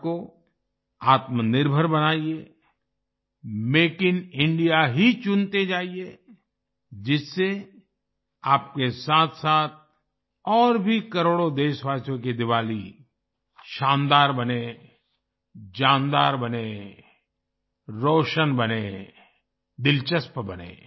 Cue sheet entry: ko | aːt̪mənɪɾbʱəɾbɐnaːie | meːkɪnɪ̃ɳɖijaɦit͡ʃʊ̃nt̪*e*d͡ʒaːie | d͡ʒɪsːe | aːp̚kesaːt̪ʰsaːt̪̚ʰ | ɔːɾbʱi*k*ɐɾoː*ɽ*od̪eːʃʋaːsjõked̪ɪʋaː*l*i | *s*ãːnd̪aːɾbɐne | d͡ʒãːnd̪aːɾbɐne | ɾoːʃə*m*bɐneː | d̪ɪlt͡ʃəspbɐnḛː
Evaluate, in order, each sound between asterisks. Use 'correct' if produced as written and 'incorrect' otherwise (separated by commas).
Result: correct, correct, correct, correct, incorrect, incorrect